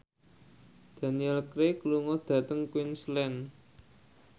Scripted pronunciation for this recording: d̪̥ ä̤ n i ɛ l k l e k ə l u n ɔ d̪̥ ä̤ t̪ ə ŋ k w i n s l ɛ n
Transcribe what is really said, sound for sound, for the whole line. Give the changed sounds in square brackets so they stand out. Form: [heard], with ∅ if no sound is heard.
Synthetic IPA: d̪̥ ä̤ n i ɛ l k [ɾ] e k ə l u [ŋ] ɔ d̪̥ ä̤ t̪ ə ŋ k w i n s l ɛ n